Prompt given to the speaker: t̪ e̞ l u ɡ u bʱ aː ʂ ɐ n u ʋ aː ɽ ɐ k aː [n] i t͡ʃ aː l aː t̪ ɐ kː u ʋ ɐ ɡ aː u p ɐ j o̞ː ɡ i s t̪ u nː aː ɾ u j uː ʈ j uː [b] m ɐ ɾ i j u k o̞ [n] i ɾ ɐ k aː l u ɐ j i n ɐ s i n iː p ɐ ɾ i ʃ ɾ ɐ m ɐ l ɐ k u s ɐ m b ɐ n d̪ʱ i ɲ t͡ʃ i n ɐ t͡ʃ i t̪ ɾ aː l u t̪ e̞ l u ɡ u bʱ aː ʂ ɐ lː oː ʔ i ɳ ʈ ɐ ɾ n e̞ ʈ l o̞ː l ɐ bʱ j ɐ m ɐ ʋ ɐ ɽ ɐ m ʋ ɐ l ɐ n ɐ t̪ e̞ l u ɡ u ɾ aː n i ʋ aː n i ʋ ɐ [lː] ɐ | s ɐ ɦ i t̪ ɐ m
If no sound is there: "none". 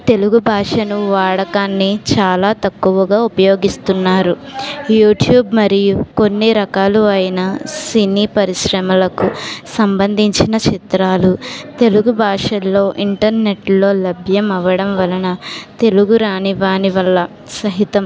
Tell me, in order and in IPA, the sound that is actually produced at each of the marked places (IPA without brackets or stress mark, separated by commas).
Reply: nː, b, nː, lː